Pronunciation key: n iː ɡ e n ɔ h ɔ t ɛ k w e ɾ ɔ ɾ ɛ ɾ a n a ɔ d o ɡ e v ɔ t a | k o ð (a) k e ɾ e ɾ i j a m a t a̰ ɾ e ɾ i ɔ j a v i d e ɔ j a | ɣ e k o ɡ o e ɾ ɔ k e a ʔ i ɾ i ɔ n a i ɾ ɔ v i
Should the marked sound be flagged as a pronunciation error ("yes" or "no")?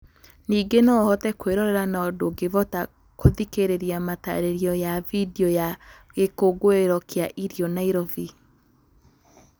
yes